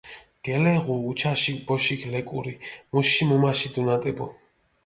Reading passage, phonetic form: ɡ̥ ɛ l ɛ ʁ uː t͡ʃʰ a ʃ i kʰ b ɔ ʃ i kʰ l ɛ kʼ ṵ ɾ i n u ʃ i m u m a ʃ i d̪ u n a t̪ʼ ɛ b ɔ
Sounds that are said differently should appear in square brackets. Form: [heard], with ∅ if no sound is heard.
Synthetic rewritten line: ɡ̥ ɛ l ɛ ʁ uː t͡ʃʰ a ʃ i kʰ b ɔ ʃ i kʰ l ɛ kʼ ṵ ɾ i [m] u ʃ i m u m a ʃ i d̪ u n a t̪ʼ ɛ b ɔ